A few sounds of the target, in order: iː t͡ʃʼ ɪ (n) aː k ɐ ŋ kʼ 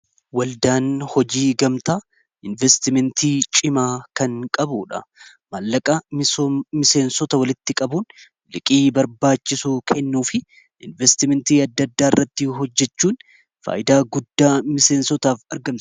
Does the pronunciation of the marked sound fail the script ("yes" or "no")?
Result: yes